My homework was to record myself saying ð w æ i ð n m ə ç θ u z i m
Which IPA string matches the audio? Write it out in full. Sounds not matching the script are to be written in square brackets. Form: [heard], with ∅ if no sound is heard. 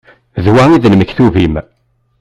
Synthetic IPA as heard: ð w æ i ð n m ə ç θ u [v] i m